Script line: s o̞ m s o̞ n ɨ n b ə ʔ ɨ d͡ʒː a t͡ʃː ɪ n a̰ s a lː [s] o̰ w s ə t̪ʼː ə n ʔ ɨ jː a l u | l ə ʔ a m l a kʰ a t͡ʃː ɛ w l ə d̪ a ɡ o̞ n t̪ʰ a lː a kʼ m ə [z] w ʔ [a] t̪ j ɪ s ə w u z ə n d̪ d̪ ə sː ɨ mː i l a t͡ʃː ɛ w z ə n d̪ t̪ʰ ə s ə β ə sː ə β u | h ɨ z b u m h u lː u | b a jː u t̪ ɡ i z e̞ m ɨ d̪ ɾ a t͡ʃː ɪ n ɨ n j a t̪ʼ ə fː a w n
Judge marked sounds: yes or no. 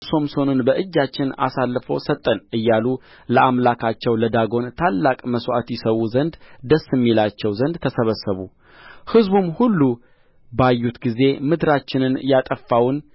no, no, yes

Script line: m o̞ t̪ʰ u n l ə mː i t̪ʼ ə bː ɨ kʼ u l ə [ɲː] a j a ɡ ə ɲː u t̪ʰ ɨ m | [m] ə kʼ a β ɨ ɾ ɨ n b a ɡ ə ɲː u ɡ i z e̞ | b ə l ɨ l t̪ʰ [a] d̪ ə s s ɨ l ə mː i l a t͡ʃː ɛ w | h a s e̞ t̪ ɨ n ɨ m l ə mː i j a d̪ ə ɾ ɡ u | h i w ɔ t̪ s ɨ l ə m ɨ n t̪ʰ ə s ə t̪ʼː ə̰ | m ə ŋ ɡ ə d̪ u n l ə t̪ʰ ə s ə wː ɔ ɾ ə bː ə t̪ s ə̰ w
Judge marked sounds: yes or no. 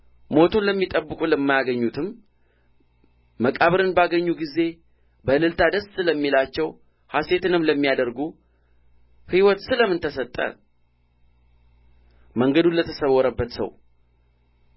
no, yes, yes

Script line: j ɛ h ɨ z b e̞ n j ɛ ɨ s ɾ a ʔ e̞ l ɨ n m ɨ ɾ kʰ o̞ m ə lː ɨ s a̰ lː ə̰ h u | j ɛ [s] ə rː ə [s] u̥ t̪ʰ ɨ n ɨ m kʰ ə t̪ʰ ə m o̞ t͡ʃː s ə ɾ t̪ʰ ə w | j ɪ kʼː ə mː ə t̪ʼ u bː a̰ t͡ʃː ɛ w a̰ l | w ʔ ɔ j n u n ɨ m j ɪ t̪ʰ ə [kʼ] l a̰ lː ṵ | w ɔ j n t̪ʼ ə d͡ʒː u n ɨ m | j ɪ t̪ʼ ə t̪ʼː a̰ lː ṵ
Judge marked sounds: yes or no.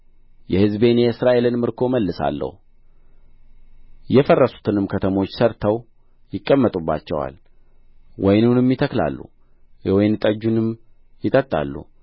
no, yes, no

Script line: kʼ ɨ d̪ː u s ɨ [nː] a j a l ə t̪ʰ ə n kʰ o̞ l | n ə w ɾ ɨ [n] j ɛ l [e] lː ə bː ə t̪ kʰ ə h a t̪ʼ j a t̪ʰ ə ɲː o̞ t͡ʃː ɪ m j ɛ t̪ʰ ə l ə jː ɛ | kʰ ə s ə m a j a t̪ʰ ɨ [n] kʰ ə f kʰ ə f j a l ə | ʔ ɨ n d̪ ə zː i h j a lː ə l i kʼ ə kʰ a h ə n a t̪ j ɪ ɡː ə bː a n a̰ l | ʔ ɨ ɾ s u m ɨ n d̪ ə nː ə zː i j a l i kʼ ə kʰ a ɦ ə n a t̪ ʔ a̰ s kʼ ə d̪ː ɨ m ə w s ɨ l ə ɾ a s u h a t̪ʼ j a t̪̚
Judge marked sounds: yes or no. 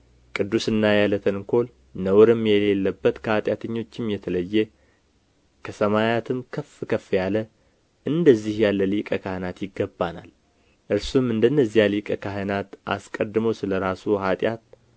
yes, no, yes, no

